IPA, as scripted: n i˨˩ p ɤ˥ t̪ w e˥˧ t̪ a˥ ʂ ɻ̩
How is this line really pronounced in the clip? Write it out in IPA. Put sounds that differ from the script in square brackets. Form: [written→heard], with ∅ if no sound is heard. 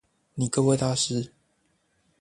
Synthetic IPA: n i˨˩ [p→k] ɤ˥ [t̪→∅] w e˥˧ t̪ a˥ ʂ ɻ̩